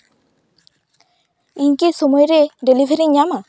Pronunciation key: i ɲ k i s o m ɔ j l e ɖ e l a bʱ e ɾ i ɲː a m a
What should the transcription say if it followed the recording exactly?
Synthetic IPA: i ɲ k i s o m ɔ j ɾ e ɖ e l i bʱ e ɾ i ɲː a m a

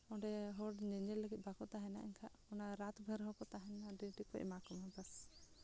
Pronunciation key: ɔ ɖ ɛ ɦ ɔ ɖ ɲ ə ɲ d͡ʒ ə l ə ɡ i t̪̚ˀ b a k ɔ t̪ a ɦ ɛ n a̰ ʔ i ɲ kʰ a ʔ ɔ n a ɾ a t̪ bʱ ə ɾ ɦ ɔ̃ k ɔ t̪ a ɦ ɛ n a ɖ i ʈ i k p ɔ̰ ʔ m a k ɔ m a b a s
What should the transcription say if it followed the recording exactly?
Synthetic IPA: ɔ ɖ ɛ ɦ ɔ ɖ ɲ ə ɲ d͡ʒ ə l ə ɡ i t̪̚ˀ b a k ɔ t̪ a ɦ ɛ n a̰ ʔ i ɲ kʰ a ʔ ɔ n a ɾ a t̪ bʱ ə ɾ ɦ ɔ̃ k ɔ t̪ a ɦ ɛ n a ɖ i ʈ i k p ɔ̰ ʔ m a k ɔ m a b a s

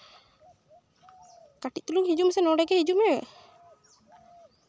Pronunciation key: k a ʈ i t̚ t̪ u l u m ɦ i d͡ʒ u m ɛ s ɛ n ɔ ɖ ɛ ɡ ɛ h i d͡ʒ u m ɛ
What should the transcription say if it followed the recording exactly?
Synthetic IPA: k a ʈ i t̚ t̪ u l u ŋ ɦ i d͡ʒ u m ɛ s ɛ n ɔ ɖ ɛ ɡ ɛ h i d͡ʒ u m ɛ

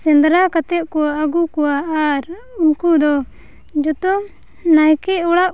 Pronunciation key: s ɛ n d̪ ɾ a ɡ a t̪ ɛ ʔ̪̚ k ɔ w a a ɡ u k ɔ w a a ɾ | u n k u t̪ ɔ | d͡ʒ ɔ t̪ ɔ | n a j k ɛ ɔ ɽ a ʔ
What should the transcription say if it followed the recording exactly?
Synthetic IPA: s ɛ n d̪ ɾ a k a t̪ ɛ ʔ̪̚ k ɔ w a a ɡ u k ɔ w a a ɾ | u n k u d̪ ɔ | d͡ʒ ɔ t̪ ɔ | n a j k ɛ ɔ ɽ a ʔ

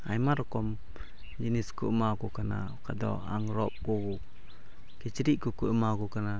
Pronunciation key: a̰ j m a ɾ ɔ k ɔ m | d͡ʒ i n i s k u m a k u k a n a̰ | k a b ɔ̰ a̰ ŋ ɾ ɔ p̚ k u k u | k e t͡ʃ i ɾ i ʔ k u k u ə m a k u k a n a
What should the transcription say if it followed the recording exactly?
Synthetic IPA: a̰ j m a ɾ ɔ k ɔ m | d͡ʒ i n i s k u m a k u k a n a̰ | k a d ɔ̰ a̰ ŋ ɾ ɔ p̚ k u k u | k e t͡ʃ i ɾ i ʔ k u k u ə m a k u k a n a

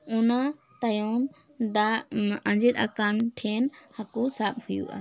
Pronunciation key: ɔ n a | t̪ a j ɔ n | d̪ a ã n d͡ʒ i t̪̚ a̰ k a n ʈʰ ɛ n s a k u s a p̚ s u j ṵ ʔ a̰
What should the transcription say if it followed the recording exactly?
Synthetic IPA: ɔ n a | t̪ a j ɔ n | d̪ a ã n d͡ʒ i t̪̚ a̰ k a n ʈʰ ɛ n h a k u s a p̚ h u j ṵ ʔ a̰

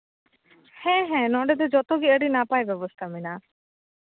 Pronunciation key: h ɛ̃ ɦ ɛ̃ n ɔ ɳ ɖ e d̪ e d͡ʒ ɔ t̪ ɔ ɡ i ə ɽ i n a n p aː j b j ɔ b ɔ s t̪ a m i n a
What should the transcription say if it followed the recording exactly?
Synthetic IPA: h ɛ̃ ɦ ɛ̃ n ɔ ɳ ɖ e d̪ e d͡ʒ ɔ t̪ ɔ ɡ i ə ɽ i n a p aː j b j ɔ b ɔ s t̪ʰ a m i n a

